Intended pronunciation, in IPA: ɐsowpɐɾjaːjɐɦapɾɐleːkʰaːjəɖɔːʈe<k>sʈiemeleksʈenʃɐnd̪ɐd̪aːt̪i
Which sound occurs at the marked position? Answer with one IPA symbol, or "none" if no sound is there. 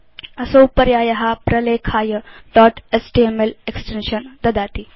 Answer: none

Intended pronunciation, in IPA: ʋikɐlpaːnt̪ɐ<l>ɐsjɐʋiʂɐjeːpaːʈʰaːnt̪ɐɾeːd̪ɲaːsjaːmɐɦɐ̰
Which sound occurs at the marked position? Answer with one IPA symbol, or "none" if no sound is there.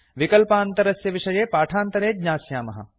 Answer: ɾ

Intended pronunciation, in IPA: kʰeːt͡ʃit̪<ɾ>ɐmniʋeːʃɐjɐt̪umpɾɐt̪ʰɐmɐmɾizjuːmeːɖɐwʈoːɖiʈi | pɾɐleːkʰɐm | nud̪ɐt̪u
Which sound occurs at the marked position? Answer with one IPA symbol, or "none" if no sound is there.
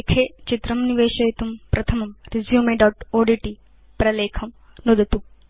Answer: ɾ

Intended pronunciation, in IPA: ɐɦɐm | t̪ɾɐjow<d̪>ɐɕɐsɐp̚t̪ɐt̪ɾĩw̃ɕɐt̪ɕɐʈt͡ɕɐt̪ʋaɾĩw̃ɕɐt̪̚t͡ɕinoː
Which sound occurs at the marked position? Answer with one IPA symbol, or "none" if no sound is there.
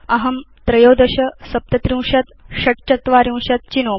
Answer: d̪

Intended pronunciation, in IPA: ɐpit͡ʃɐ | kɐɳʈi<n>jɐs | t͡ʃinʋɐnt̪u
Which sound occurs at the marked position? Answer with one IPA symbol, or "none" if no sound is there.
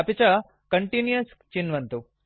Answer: n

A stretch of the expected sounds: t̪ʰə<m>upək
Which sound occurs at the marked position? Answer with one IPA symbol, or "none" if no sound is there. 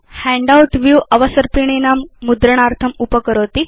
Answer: m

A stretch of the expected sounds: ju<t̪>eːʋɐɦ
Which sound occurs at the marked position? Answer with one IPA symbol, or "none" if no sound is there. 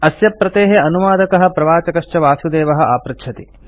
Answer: d̪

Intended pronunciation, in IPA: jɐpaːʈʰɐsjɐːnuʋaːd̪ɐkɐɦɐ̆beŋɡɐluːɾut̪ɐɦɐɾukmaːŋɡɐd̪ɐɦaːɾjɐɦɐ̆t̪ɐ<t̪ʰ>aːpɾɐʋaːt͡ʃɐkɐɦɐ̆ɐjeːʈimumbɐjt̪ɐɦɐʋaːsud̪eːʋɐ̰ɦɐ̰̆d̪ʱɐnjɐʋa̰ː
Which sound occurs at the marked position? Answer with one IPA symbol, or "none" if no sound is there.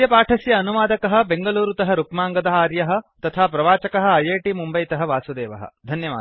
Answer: t̪ʰ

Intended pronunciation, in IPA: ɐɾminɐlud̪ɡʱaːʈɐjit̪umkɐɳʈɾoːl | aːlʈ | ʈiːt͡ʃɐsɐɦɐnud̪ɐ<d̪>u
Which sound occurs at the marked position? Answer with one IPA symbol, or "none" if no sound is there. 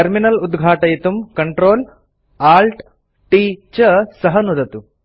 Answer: t̪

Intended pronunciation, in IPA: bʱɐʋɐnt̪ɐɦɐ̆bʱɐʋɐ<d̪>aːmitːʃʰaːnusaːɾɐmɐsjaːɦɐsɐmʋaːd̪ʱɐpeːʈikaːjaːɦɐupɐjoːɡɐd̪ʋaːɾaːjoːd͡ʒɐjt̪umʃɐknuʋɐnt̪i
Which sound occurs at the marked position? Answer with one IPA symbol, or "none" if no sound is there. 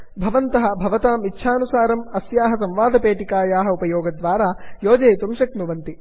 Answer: t̪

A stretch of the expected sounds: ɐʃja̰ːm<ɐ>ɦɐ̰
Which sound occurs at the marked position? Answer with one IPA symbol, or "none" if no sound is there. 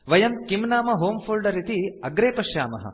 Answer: ɐ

